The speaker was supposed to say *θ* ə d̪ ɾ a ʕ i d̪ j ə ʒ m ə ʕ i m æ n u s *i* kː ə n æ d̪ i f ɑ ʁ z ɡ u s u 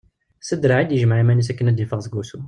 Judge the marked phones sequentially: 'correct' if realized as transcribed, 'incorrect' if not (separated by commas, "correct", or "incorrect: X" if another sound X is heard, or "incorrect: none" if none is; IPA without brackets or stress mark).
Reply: incorrect: s, incorrect: æ